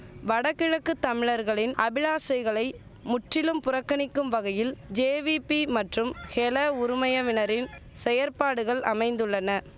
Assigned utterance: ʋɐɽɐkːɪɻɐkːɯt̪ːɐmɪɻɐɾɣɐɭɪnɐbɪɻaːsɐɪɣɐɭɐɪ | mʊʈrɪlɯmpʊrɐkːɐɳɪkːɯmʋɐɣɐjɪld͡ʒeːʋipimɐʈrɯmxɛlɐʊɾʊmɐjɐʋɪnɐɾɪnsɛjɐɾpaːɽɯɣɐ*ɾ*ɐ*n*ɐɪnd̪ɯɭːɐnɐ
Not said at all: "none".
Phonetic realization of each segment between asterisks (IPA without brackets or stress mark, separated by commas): ɭ, m